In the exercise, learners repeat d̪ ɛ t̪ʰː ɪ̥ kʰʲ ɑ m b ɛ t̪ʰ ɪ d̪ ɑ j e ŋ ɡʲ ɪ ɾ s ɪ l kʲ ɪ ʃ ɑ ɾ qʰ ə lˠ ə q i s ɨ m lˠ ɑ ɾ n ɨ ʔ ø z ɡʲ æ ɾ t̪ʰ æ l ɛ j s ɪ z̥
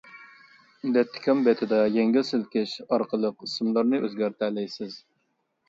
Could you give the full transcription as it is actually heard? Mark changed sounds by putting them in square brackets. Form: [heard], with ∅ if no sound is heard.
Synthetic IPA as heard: d̪ ɛ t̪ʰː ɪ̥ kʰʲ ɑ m b ɛ t̪ʰ ɪ d̪ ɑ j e ŋ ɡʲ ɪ [l] s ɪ l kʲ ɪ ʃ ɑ ɾ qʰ ə lˠ ə q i s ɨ m lˠ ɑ ɾ n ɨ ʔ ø z ɡʲ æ ɾ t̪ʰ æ l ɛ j s ɪ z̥